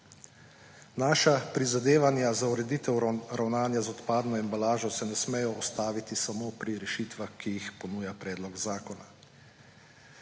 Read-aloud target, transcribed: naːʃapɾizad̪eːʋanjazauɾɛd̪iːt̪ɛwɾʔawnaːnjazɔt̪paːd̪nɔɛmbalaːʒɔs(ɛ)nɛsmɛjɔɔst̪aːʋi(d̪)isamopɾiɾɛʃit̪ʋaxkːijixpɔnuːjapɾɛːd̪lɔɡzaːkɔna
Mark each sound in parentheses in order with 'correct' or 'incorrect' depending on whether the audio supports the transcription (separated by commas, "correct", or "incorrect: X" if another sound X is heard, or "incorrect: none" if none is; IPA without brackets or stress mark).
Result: correct, incorrect: t̪